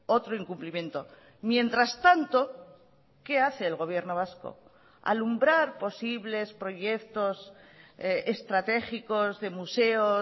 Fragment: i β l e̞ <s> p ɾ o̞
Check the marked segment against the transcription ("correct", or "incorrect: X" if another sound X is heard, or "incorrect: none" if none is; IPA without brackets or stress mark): correct